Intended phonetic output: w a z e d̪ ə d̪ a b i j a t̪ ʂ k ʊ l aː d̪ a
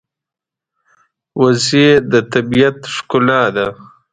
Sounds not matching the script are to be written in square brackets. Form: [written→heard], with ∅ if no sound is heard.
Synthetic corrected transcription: w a z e d̪ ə [d̪→t̪] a b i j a t̪ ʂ k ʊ l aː d̪ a